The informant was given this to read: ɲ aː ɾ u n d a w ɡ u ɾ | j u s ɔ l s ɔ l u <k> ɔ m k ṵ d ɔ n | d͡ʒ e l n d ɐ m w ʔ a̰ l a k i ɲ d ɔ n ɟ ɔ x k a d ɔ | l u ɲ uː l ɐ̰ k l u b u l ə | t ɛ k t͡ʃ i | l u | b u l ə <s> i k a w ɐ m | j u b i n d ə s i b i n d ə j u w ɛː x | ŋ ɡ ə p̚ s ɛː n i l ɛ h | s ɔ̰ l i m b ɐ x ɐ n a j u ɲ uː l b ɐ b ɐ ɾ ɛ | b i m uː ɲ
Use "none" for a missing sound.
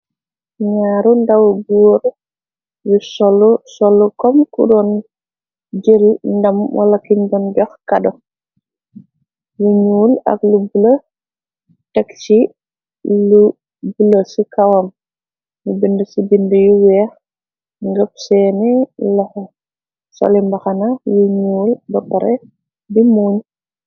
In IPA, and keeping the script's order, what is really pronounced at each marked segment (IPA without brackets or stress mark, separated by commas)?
k, s